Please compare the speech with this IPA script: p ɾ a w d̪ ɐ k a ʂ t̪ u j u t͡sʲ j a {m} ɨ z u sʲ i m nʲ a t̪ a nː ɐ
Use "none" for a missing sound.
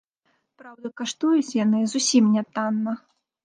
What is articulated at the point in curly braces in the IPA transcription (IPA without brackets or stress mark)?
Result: n